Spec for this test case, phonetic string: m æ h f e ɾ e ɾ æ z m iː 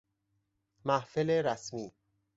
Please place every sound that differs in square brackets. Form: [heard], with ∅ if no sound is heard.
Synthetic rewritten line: m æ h f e [l] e ɾ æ [s] m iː